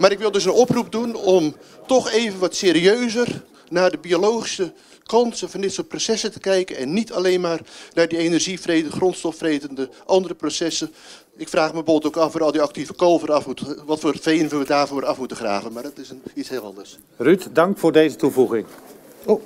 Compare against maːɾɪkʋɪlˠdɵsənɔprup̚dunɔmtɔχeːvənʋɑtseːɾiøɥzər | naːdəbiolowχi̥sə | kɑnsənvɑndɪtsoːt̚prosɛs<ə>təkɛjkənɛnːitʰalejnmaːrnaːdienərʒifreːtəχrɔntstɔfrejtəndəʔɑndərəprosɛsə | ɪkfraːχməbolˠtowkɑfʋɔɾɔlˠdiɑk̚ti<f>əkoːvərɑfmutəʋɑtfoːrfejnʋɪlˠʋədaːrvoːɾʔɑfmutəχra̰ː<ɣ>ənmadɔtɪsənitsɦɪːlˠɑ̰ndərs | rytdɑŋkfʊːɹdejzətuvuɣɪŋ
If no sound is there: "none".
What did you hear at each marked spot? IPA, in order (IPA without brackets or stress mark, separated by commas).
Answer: ə, v, v